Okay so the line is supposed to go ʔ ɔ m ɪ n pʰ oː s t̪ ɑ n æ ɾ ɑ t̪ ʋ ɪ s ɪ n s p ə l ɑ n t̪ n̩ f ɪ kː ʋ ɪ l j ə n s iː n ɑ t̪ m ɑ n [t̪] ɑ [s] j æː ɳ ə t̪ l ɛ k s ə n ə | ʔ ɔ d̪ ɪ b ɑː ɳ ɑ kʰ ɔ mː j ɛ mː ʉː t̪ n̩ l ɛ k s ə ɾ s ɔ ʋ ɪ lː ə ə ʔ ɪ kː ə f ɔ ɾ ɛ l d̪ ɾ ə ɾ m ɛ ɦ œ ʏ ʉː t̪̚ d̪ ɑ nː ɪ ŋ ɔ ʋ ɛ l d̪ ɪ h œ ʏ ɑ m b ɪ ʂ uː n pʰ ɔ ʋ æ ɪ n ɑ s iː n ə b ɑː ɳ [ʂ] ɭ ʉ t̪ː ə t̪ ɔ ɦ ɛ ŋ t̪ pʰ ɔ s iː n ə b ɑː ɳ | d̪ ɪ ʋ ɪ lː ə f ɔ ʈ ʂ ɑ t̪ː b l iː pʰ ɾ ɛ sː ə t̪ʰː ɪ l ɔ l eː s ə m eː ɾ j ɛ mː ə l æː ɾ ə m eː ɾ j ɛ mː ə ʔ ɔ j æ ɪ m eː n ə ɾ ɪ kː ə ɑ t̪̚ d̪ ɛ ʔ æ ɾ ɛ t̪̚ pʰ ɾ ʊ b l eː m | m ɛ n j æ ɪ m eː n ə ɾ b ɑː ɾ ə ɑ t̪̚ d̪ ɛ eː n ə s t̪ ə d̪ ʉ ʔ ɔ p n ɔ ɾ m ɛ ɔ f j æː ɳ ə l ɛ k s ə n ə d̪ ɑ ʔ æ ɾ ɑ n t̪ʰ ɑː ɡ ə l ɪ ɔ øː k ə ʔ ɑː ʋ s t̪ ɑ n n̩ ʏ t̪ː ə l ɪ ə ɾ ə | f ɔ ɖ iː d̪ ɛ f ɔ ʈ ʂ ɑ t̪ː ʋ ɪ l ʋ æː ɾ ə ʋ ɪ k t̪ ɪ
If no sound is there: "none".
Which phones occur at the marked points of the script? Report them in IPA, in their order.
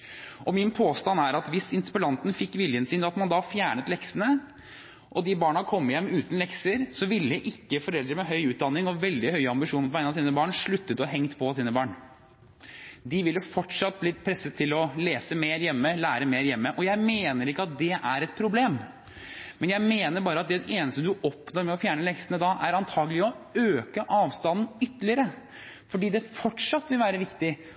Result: d̪, f, ʂ

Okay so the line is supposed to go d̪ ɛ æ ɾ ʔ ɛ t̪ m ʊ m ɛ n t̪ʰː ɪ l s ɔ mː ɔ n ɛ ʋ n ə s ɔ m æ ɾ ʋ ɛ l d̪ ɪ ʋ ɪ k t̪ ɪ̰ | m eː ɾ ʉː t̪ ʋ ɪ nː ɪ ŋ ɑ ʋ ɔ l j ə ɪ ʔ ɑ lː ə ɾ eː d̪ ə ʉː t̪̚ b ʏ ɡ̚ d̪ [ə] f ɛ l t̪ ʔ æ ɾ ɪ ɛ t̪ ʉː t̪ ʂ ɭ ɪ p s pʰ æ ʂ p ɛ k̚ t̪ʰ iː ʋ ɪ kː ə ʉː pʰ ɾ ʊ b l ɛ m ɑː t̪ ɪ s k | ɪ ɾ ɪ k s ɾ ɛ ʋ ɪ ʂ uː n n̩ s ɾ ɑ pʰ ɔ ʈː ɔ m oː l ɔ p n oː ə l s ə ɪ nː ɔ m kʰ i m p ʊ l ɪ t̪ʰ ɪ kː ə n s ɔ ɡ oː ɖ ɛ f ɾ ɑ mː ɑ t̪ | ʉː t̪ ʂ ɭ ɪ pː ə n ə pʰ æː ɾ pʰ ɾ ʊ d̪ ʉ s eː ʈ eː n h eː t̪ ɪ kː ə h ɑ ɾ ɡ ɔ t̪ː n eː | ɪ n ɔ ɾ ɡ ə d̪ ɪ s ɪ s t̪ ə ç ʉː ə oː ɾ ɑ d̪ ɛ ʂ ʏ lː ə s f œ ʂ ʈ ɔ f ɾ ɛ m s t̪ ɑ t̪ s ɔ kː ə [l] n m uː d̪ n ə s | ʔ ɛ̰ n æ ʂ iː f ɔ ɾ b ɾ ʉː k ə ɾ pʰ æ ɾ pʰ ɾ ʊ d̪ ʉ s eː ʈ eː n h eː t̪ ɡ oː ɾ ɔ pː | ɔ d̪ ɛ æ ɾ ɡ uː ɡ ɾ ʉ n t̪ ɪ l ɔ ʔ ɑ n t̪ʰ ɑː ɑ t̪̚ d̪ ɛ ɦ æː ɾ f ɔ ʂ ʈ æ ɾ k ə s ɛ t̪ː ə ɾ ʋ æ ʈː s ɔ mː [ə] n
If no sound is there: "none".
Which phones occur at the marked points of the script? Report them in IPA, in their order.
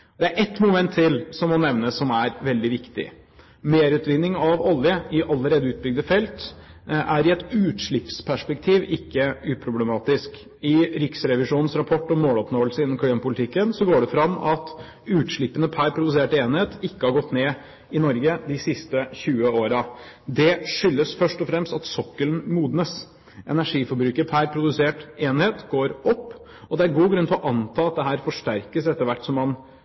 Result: ə, l, ɑ

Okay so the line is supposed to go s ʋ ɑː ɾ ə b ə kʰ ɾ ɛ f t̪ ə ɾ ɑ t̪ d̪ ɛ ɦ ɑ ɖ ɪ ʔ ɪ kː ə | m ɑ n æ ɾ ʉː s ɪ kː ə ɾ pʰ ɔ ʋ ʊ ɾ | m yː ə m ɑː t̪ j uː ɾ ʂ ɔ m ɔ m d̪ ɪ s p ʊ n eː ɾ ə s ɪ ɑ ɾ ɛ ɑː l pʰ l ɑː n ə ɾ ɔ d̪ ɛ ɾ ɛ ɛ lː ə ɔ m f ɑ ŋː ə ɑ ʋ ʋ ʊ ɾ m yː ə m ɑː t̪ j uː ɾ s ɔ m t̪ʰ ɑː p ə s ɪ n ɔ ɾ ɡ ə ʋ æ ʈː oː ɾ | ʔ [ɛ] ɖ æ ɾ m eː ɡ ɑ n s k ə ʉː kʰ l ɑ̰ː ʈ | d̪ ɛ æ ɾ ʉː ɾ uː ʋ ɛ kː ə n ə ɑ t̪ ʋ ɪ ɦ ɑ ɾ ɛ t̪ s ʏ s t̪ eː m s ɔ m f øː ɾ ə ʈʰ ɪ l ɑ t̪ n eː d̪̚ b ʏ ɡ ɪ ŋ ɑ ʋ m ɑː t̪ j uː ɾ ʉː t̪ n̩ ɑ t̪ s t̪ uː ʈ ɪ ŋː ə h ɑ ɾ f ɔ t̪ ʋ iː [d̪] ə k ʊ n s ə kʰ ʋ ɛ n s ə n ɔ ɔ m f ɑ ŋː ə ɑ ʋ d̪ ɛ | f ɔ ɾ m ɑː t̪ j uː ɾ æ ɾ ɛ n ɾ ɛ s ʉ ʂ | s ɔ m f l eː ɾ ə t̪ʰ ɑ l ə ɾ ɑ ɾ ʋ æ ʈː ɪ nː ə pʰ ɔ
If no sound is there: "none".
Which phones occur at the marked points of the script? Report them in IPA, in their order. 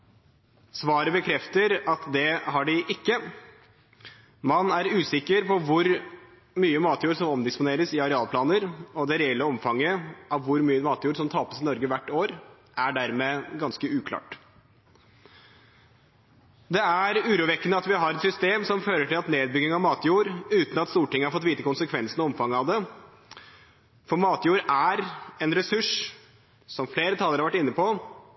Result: æ, t̪

